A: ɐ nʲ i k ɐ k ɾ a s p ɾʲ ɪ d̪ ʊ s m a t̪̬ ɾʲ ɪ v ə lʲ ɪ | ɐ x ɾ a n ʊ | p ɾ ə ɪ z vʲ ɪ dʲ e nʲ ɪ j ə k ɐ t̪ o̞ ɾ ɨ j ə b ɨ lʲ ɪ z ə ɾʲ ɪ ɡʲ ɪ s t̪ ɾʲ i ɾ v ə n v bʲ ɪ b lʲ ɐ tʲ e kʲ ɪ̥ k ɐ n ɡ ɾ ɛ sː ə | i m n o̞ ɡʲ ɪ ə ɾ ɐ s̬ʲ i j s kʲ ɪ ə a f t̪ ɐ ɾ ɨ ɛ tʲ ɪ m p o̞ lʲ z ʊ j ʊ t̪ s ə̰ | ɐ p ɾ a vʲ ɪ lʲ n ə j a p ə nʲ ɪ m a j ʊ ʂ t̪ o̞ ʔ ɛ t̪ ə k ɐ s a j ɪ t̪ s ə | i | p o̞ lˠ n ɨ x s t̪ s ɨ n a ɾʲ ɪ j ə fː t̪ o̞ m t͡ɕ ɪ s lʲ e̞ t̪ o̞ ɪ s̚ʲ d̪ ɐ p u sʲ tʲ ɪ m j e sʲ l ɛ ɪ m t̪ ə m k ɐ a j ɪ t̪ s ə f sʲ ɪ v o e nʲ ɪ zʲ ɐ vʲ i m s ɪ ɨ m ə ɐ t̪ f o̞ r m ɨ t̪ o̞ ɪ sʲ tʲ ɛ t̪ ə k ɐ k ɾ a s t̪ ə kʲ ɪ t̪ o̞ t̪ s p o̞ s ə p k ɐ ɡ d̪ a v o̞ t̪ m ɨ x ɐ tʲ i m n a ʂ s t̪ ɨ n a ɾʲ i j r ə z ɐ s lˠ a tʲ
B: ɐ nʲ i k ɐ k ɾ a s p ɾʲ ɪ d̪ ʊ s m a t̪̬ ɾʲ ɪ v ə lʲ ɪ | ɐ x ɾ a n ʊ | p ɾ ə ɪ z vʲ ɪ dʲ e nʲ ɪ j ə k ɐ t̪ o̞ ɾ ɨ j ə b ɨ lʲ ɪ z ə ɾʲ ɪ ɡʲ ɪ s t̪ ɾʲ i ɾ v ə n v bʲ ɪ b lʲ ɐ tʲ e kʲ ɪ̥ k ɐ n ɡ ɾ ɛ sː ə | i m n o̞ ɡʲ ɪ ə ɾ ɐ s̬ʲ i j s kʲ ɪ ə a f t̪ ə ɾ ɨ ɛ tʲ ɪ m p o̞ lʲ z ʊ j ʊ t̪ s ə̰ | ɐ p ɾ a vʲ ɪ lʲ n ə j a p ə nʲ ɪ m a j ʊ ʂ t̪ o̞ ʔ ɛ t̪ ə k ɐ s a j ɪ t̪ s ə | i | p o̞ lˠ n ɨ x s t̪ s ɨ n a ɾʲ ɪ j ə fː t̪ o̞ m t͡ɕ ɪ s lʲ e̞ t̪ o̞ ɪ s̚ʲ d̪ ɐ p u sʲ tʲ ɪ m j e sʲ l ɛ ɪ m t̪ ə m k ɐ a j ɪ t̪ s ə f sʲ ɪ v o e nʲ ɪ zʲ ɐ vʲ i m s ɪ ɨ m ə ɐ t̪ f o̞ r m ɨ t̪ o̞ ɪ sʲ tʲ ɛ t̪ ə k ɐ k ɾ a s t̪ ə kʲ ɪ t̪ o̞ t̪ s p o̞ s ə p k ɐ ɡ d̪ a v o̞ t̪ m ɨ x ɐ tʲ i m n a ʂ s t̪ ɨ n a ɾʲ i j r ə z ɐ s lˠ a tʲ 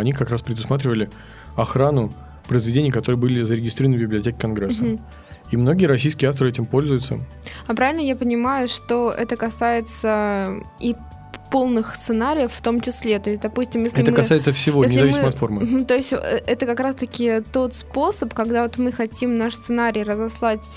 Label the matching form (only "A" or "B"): B